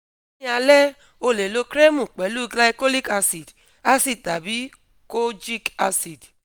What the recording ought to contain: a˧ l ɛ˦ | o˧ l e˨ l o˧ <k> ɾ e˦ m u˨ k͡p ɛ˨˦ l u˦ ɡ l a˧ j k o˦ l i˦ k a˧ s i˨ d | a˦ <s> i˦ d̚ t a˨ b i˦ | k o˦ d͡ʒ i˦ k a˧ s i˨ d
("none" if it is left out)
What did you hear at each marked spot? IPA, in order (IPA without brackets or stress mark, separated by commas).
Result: k, s